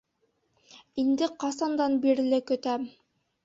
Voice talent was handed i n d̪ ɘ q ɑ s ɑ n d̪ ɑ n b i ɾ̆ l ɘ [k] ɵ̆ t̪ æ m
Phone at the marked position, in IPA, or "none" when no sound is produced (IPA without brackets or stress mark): k